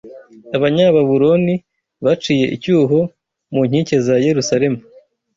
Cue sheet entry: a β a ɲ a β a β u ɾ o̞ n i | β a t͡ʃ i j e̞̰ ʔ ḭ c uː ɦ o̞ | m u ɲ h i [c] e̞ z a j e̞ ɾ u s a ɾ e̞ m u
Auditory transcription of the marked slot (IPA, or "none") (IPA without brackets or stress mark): c